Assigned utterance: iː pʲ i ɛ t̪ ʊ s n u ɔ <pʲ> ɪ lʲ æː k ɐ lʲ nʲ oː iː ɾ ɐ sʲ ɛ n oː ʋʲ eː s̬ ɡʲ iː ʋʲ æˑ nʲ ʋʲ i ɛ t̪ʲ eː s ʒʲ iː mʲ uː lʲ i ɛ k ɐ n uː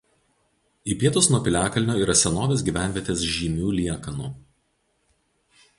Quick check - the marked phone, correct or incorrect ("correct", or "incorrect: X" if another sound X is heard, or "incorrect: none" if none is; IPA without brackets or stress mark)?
correct